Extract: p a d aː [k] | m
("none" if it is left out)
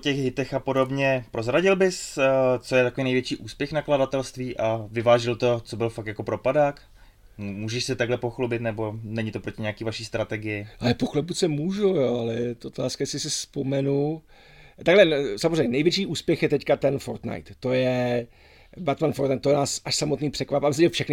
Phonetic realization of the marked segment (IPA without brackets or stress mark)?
k